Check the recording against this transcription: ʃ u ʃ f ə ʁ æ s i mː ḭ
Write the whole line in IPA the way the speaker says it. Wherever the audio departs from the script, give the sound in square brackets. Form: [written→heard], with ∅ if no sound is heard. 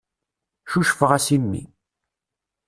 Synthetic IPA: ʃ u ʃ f ə ʁ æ s i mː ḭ